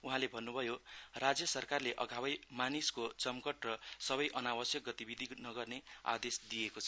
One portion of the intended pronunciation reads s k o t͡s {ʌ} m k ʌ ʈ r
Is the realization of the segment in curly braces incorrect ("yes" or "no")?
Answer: no